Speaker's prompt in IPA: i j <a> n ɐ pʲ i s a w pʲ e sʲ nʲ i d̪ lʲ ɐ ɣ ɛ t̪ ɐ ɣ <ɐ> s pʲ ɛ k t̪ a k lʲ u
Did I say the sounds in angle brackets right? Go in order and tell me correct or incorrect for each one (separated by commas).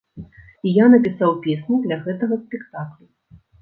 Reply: correct, correct